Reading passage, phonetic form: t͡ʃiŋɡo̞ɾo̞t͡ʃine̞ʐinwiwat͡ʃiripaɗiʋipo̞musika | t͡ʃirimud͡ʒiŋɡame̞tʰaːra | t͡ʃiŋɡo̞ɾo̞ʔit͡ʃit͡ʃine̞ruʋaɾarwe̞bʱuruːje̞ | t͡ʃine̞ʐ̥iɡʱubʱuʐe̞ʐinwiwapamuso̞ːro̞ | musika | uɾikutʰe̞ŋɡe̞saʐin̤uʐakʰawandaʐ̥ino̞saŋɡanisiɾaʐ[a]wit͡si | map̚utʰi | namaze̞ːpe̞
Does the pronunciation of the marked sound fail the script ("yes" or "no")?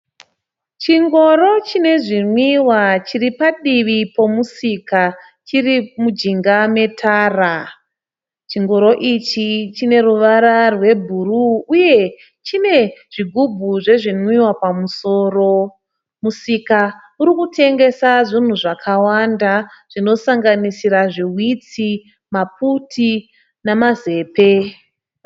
yes